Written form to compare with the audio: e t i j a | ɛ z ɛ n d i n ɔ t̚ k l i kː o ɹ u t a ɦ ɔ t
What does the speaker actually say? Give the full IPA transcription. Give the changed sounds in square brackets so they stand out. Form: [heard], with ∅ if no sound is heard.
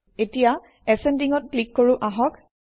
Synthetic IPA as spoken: e t i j a | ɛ [s] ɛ n d i [ŋ] ɔ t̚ k l i kː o ɹ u [ʔ] a ɦ ɔ [k]